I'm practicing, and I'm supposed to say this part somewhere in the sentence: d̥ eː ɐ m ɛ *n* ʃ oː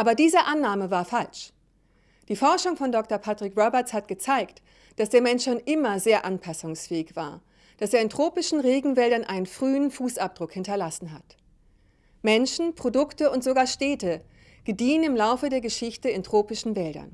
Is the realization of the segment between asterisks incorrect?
no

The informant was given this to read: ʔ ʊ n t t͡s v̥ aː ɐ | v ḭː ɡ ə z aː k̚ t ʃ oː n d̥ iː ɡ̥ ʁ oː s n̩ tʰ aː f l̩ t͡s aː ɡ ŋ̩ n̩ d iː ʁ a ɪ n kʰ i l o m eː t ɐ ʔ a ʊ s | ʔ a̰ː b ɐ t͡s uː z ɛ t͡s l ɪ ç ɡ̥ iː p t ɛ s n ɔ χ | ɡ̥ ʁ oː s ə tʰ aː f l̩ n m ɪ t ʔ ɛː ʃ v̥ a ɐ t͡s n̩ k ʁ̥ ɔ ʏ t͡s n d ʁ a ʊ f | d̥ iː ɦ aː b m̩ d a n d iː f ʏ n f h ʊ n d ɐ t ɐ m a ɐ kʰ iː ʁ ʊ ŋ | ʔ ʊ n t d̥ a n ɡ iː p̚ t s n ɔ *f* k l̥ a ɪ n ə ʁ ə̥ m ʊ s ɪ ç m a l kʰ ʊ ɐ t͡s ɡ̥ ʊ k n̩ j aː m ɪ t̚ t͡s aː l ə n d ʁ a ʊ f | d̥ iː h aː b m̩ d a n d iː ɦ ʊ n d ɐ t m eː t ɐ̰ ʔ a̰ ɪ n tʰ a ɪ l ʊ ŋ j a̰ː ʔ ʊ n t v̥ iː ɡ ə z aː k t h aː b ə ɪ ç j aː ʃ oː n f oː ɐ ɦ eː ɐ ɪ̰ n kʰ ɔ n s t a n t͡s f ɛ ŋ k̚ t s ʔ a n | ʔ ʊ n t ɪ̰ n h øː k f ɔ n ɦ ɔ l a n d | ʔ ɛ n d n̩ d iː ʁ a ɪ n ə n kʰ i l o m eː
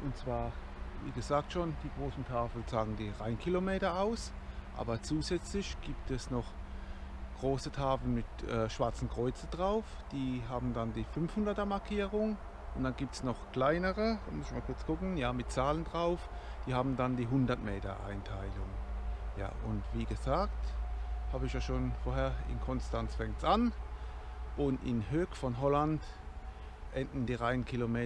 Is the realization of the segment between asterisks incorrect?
yes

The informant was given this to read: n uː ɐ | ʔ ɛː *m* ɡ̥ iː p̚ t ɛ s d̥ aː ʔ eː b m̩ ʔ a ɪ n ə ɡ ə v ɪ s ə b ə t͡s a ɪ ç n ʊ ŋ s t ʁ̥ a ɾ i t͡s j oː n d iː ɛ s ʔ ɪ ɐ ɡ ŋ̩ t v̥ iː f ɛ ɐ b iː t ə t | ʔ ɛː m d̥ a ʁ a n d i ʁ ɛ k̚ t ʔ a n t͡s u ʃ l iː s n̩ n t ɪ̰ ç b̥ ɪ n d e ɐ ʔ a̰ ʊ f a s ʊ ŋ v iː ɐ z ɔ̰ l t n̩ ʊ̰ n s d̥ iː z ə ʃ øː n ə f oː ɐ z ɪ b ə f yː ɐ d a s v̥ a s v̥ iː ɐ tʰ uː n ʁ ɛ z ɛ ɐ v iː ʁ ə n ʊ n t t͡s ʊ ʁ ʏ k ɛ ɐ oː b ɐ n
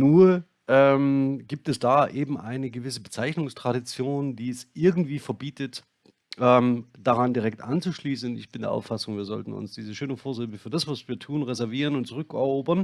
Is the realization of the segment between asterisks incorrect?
no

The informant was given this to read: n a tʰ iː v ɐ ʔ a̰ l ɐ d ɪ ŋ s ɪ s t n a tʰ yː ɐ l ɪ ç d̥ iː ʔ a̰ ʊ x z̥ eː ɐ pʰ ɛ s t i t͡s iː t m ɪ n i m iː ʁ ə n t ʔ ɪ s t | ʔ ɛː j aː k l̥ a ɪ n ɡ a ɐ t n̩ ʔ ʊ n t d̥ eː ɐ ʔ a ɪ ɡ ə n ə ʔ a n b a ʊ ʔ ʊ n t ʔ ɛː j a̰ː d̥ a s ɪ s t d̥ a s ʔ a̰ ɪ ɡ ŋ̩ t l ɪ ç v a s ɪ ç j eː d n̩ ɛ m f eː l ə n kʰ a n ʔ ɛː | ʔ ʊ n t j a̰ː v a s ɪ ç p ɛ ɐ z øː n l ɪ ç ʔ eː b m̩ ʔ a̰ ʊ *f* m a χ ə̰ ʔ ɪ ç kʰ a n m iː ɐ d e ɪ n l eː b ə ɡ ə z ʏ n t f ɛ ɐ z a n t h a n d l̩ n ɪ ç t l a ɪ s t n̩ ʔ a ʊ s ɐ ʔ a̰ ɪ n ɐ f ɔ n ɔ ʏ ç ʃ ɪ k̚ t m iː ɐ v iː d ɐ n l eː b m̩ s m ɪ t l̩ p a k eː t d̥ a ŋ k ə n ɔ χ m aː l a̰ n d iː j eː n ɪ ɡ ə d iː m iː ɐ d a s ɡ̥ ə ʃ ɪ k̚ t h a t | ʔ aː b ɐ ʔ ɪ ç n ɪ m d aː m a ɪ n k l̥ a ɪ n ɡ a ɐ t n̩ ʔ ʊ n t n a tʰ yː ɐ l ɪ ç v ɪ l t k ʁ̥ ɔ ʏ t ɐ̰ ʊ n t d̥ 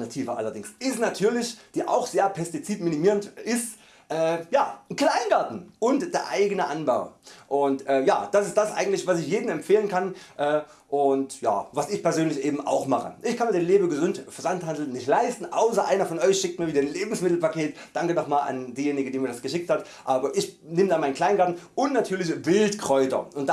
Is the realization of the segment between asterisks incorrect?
yes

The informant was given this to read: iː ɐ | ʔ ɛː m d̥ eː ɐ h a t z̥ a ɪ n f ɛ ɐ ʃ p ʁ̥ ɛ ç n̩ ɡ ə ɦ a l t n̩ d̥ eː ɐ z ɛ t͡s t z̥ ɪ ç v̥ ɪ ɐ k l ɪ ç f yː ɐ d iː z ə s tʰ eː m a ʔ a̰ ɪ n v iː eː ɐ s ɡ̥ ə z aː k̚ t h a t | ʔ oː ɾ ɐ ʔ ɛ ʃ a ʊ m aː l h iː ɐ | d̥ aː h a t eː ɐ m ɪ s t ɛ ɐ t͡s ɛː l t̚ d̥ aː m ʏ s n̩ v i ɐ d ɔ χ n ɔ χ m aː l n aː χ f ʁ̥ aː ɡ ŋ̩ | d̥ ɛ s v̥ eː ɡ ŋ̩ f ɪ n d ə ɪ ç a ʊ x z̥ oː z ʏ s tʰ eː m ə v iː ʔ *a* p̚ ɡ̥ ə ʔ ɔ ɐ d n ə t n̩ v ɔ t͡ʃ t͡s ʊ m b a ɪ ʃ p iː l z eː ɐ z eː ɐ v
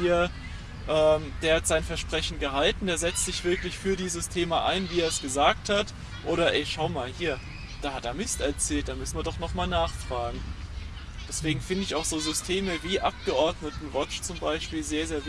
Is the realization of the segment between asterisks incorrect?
no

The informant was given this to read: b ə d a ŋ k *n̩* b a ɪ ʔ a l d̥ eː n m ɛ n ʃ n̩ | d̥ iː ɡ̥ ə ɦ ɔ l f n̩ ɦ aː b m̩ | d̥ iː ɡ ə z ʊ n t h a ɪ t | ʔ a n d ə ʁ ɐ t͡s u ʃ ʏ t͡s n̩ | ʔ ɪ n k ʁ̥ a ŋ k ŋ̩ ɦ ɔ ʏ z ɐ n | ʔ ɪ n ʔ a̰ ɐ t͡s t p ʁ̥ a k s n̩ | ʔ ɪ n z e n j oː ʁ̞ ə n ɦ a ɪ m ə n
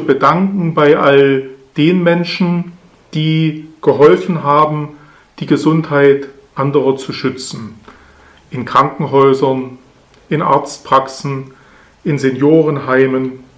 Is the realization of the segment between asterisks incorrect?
yes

